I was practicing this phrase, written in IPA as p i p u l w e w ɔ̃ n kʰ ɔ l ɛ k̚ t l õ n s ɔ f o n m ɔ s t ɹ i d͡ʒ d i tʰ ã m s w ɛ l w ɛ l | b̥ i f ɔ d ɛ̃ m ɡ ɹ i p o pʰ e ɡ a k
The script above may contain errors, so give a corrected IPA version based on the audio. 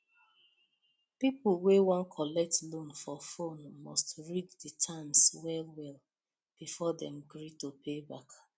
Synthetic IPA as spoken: p i p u l w e w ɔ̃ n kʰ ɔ l ɛ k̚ t l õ n f ɔ f o n m ɔ s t ɹ i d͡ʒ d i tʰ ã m s w ɛ l w ɛ l | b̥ i f ɔ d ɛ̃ m ɡ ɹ i t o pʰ e b a k

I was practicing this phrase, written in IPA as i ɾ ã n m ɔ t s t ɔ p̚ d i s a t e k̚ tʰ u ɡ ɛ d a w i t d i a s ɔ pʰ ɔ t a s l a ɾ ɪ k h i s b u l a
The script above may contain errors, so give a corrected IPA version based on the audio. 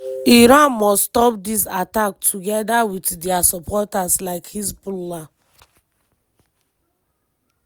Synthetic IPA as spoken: i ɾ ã n m ɔ s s t ɔ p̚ d i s a t a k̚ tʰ u ɡ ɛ d a w i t d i a s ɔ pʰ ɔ t a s l a ɪ k h i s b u l a

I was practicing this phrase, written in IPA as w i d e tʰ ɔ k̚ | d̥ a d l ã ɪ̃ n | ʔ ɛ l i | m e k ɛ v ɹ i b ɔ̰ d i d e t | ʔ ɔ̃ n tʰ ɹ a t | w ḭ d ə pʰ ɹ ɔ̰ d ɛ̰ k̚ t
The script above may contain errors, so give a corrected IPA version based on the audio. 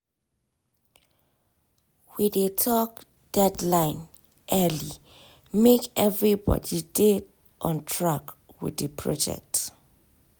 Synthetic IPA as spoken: w i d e tʰ ɔ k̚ | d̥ ɛ d l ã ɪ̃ n | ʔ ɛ l i | m e k ɛ v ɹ i b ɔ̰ d i d e t | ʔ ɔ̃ n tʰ ɹ a k | w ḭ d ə pʰ ɹ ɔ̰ d͡ʒ ɛ̰ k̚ t

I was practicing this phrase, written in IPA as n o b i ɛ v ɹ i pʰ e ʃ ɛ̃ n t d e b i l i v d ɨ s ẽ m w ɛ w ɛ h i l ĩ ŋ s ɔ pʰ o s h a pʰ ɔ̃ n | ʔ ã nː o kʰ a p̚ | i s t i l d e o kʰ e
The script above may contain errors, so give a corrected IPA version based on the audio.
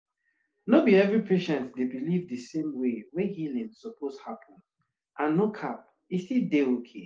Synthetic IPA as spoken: n o b i ɛ v ɹ i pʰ e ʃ ɛ̃ n t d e b i l i v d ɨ s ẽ m w e w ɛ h i l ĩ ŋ s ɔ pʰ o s h a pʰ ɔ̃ n | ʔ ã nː o kʰ a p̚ | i s t i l d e o kʰ e

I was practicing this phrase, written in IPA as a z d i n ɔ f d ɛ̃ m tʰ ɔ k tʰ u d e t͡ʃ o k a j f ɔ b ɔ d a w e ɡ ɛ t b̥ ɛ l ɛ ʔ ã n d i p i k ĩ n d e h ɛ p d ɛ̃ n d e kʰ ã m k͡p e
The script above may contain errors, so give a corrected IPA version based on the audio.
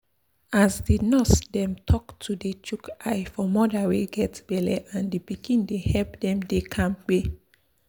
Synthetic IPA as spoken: a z d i n ɔ s d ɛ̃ m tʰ ɔ k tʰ u d e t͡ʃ u k a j f ɔ m ɔ d a w e ɡ ɛ t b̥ ɛ l ɛ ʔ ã n d i p i k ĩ n d e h ɛ p d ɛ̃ m d e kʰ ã m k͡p e

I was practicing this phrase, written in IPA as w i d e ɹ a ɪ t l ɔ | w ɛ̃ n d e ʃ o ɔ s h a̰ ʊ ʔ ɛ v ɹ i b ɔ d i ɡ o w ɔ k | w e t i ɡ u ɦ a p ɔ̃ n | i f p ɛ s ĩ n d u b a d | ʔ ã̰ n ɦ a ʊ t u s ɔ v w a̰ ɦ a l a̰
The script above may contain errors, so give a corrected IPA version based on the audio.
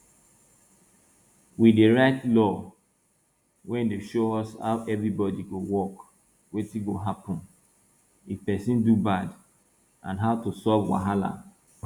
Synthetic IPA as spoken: w i d e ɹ a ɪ t l ɔ | w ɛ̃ n d e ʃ o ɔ s h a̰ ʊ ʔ ɛ v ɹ i b ɔ d i ɡ o w ɔ k | w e t i ɡ o ɦ a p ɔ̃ n | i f p ɛ s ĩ n d u b a d | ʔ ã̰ n ɦ a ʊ t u s ɔ v w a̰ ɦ a l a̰

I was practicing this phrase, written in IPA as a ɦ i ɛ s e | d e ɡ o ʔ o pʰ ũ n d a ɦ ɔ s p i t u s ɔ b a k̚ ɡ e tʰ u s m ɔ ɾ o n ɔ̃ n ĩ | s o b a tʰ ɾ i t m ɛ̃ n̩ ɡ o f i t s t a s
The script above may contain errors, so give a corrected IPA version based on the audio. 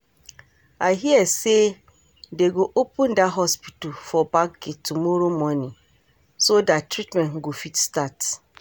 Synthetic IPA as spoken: a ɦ i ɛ s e | d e ɡ o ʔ o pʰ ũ n d a ɦ ɔ s p i t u f ɔ b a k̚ ɡ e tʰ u m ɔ ɾ o m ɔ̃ n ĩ | s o d a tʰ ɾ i t m ɛ̃ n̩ ɡ o f i t s t a t

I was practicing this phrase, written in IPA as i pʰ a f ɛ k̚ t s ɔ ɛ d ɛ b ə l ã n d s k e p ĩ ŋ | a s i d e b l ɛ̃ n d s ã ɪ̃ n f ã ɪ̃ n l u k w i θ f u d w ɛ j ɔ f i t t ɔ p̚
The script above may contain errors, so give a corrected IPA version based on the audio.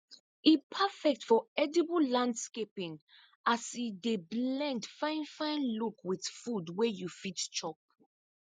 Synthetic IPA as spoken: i pʰ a f ɛ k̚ t f ɔ ɛ d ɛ b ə l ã n d s k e p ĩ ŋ | a s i d e b l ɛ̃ n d f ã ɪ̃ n f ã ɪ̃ n l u k w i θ f u d w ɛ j u f i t t͡ʃ ɔ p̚

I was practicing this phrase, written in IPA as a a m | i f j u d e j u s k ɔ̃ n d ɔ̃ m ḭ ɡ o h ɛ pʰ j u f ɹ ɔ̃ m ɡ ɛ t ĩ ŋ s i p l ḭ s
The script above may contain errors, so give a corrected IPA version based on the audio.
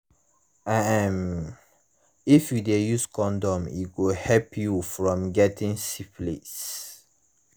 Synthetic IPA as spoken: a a m | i f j u d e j u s k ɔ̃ n d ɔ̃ m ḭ ɡ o h ɛ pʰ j u f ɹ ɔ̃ m ɡ ɛ t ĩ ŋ s i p l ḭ s

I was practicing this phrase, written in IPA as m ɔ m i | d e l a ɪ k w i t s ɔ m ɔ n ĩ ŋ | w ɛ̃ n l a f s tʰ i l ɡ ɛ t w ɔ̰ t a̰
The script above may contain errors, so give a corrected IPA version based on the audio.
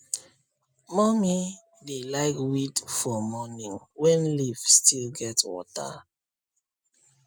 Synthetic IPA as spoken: m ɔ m i | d e l a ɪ k w i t f ɔ m ɔ n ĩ ŋ | w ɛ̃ n l i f s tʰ i l ɡ ɛ t w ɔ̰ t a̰

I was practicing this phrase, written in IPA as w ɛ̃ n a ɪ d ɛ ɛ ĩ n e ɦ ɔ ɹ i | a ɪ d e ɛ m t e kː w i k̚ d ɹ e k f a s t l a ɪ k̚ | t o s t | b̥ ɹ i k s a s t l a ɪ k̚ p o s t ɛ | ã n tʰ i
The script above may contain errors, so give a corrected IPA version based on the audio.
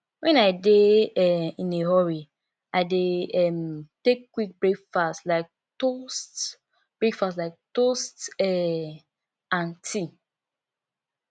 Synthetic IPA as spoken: w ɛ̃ n a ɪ d e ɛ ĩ n e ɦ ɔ ɹ i | a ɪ d e ɛ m t e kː w i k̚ b ɹ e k f a s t l a ɪ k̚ | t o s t | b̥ ɹ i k f a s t l a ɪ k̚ t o s t ɛ | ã n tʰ i

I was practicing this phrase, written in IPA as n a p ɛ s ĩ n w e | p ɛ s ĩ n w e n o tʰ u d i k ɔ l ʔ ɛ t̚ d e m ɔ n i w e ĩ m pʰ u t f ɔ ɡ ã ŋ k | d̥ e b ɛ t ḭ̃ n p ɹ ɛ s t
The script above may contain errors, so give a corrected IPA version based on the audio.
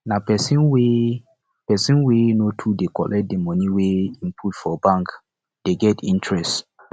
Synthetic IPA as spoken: n a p ɛ s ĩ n w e | p ɛ s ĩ n w e n o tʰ u d e k ɔ l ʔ ɛ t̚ d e m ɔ n i w e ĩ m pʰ u t f ɔ b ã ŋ k | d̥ e ɡ ɛ t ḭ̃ n t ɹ ɛ s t

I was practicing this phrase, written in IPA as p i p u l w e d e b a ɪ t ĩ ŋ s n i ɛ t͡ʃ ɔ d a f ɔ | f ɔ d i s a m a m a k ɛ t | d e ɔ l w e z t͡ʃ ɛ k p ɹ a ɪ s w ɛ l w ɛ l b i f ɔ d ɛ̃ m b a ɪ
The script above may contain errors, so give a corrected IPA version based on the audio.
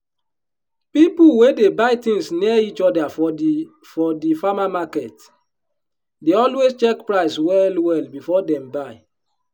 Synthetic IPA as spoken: p i p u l w e d e b a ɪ t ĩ ŋ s n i i t͡ʃ ɔ d a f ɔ | f ɔ d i f a m a m a k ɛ t | d e ɔ l w e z t͡ʃ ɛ k p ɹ a ɪ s w ɛ l w ɛ l b i f ɔ d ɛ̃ m b a ɪ

